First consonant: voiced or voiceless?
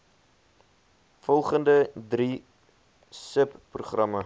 voiceless